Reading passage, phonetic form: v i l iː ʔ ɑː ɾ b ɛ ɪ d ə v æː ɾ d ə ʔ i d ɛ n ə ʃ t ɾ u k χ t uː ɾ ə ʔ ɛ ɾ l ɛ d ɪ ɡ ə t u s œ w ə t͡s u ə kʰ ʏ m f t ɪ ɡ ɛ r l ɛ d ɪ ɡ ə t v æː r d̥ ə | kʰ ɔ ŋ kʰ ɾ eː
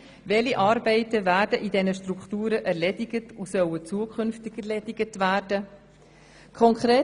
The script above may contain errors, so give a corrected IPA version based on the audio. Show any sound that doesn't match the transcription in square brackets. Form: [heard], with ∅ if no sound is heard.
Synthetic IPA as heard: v [ɛ] l [i] ʔ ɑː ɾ b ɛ ɪ [t] ə v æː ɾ d ə ʔ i d ɛ n ə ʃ t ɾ u k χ t uː ɾ ə ʔ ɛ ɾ l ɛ d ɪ ɡ ə t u s œ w ə t͡s u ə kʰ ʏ [n] f t ɪ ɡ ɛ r l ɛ d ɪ ɡ ə t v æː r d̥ ə | kʰ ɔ ŋ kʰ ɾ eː